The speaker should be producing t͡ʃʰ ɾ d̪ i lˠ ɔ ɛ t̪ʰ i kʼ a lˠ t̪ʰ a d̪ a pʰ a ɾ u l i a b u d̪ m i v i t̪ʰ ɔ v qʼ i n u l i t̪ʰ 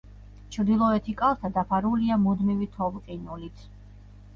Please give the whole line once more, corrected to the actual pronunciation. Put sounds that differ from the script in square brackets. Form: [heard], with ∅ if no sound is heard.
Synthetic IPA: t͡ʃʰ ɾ d̪ i lˠ ɔ ɛ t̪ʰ i kʼ a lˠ t̪ʰ a d̪ a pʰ a ɾ u l i a [m] u d̪ m i v i t̪ʰ ɔ v qʼ i n u l i t̪ʰ